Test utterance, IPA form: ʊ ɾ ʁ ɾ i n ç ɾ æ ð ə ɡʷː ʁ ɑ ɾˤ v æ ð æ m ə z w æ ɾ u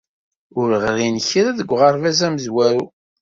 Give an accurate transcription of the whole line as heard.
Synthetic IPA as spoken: ʊ ɾ ʁ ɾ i n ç ɾ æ ð ə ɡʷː ʁ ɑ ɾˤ v æ z æ m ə z w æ ɾ u